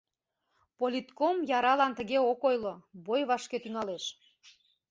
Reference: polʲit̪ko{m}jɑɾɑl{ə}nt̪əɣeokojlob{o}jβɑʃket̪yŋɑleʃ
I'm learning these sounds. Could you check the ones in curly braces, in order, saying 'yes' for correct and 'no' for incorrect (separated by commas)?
yes, no, yes